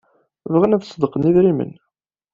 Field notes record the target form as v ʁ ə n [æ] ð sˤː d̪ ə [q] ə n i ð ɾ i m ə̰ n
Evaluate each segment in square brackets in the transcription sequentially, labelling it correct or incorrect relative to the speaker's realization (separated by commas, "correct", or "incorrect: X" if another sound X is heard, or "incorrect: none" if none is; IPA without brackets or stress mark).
correct, correct